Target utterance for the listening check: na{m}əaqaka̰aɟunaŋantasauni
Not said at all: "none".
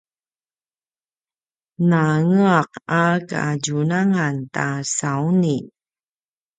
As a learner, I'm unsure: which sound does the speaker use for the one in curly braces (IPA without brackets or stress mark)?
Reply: ŋ